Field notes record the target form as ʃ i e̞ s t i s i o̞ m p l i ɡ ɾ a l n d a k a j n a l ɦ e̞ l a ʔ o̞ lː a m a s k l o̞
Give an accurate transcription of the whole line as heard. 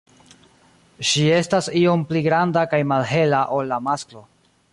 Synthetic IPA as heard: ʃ i e̞ s t a s i o̞ m p l i ɡ ɾ a n d a k a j m a l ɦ e̞ l a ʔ o̞ lː a m a s k l o̞